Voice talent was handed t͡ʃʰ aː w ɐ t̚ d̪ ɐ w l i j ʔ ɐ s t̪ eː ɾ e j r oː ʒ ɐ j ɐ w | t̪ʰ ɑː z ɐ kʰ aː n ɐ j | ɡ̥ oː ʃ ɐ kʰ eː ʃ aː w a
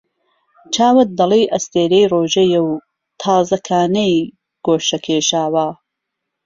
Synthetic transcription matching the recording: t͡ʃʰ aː w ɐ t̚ d̪ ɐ l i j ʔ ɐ s t̪ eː ɾ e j r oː ʒ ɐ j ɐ w | t̪ʰ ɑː z ɐ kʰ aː n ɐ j | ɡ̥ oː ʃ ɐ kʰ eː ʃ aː w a